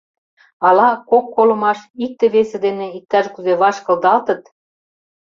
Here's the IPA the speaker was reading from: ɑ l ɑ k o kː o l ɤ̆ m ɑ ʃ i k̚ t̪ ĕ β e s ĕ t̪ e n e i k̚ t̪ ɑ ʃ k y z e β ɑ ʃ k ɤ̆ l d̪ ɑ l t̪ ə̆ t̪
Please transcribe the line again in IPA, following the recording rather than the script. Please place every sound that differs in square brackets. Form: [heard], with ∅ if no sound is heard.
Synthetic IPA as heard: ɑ l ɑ k o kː o l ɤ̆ m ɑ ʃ i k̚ t̪ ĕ β e s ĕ [d̪] e n e i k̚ t̪ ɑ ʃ k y z e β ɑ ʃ k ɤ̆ l d̪ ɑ l t̪ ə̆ t̪